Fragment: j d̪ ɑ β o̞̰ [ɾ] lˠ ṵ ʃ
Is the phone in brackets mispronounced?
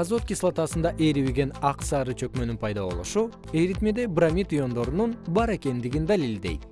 yes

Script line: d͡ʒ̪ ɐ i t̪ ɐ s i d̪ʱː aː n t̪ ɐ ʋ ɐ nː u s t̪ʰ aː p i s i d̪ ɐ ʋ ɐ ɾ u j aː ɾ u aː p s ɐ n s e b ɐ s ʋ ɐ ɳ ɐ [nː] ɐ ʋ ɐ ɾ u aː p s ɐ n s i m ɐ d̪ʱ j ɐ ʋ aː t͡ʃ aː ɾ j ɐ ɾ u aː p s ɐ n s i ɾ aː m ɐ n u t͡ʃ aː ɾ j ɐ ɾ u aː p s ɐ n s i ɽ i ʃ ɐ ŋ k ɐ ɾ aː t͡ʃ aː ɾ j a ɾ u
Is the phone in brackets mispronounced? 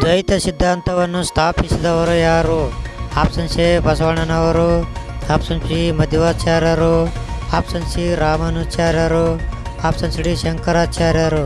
yes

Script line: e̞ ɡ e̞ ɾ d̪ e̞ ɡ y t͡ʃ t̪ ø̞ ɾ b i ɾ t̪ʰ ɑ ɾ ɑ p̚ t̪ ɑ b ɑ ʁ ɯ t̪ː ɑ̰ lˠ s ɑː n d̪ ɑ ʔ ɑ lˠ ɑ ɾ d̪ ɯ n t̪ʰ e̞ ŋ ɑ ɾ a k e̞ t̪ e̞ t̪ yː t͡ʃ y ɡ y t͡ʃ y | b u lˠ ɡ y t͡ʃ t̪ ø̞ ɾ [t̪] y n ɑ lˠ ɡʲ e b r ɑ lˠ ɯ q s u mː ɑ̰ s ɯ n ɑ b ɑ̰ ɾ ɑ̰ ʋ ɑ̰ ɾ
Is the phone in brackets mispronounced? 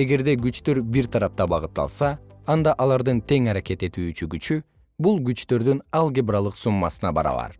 yes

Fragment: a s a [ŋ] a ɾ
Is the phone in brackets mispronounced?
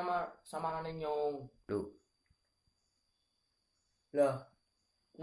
yes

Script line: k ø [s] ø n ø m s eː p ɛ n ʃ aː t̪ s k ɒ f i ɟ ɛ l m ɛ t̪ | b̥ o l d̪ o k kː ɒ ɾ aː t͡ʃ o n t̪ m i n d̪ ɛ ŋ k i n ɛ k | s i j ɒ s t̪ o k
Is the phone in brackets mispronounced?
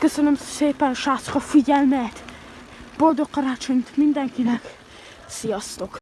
no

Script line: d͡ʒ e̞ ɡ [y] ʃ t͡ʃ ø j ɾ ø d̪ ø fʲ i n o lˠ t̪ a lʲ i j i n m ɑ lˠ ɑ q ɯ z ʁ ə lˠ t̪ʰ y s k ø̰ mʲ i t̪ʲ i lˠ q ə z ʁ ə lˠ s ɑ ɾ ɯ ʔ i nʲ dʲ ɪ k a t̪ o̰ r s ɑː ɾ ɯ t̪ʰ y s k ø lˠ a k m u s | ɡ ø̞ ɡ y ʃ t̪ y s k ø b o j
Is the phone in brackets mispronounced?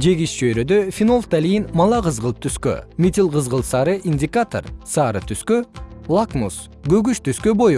yes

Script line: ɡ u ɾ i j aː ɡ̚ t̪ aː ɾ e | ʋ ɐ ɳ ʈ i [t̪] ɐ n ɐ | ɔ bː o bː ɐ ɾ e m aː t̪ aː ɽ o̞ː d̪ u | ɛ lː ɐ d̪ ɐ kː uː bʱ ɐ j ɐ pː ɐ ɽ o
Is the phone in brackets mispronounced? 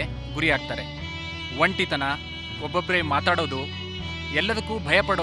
no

